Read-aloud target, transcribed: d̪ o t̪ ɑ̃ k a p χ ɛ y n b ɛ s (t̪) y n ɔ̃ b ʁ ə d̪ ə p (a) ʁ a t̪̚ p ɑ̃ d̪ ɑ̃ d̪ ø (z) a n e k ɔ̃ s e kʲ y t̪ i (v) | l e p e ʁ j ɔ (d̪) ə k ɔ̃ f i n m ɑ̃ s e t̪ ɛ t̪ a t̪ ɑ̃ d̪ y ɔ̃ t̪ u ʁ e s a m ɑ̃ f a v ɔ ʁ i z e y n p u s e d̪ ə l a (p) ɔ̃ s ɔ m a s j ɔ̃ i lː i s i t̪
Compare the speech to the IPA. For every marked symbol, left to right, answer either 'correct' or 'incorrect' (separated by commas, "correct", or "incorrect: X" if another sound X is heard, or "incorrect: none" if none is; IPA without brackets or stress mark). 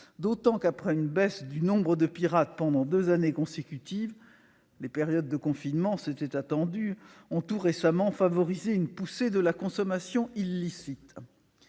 incorrect: d̪, incorrect: i, correct, correct, incorrect: d̪ː, incorrect: k